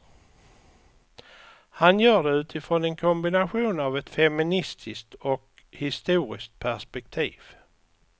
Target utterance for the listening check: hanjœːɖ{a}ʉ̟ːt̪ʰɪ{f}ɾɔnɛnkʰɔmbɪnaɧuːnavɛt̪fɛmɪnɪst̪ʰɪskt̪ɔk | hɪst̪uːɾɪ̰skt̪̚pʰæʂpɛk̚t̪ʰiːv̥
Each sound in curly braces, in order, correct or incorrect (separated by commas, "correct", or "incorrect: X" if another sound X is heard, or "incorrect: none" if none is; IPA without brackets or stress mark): incorrect: ɛ, correct